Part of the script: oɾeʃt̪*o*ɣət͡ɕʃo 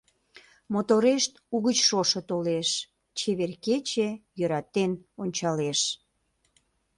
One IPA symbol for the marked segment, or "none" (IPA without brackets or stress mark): u